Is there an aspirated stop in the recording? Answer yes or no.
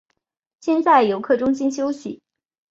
yes